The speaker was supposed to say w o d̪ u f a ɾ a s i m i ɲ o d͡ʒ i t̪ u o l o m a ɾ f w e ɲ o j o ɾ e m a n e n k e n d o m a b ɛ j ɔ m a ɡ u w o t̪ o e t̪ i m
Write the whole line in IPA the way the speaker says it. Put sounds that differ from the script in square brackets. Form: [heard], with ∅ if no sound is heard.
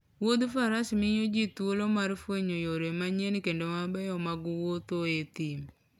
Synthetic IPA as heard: w o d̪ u f a ɾ a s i m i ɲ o d͡ʒ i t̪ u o l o m a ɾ f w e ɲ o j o ɾ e m a [ɲ] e n k e n d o m a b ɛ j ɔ m a ɡ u w o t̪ o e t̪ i m